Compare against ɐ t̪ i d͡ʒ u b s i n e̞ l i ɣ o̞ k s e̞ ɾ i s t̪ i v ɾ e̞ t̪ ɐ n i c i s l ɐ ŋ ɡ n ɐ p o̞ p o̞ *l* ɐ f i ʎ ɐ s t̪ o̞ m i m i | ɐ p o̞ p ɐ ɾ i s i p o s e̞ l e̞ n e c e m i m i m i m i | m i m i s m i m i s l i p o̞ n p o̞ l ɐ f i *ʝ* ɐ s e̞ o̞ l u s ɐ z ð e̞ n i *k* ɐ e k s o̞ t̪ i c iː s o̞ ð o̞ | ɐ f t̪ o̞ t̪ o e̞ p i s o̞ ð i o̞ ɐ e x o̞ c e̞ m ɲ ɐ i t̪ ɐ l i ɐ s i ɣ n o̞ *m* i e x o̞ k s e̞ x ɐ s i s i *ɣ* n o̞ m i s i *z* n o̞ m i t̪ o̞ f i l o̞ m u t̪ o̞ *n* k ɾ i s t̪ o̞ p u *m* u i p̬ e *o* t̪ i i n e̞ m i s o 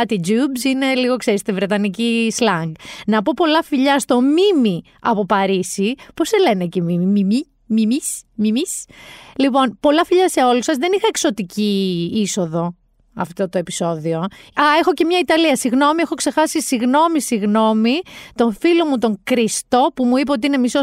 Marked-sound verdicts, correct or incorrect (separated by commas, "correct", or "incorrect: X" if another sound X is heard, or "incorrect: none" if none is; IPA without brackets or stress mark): correct, incorrect: ʎ, incorrect: x, correct, correct, incorrect: ɣ, incorrect: ŋ, correct, correct